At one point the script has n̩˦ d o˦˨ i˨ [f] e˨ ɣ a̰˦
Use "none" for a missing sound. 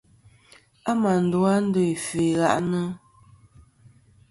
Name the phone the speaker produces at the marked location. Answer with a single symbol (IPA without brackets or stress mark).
f